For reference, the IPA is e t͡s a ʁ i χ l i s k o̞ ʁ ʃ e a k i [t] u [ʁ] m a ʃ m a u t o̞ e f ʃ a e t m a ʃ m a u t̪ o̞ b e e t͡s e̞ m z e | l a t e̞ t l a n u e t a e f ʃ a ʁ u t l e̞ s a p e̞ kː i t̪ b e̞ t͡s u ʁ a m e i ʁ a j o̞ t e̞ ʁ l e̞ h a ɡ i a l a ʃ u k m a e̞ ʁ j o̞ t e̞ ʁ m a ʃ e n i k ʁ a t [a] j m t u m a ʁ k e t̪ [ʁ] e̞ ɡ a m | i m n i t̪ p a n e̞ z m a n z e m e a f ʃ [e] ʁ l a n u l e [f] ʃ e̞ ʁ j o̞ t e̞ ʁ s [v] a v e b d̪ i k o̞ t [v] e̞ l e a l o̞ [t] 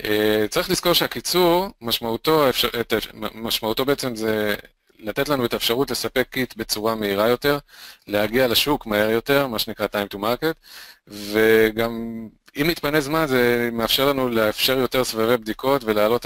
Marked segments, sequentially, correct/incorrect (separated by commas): incorrect, correct, correct, incorrect, correct, correct, correct, correct, correct